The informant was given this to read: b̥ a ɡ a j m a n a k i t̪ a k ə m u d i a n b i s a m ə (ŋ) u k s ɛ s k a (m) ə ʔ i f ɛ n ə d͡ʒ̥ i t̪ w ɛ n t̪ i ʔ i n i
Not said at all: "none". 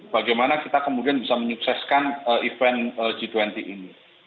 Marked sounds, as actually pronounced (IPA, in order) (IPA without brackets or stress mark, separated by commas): ɲ, n